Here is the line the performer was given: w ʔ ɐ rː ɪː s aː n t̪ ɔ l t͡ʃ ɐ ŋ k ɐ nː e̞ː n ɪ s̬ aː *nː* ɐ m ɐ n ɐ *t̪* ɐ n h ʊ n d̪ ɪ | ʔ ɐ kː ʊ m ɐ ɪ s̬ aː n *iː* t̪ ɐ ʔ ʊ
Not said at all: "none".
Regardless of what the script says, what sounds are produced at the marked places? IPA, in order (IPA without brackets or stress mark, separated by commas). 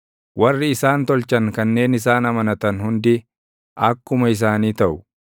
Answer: n, t̪, iː